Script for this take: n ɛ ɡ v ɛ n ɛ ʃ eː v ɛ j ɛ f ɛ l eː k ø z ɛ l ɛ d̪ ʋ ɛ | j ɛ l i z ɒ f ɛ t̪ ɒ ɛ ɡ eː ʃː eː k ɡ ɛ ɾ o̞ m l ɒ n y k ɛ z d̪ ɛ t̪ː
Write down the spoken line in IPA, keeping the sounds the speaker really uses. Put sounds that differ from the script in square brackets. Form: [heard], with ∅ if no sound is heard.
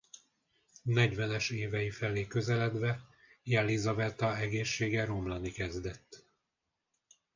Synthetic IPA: n ɛ [ɟ] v ɛ n ɛ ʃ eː v ɛ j [i] f ɛ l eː k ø z ɛ l ɛ d̪ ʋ ɛ | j ɛ l i z ɒ [v] ɛ t̪ ɒ ɛ ɡ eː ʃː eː [∅] ɡ ɛ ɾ o̞ m l ɒ n [i] k ɛ z d̪ ɛ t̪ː